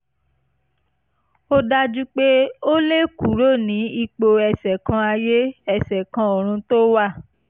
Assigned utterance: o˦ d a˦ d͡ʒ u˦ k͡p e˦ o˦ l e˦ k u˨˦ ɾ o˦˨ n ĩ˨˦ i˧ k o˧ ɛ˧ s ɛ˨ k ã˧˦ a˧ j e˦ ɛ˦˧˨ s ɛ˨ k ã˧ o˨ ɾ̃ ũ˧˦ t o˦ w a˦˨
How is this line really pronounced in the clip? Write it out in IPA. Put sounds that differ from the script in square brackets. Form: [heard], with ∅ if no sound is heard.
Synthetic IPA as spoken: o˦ d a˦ d͡ʒ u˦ k͡p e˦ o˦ l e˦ k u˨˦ ɾ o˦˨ n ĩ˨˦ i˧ [k͡p] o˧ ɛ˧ s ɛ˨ k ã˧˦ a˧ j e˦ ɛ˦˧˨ s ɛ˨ k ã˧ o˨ ɾ̃ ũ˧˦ t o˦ w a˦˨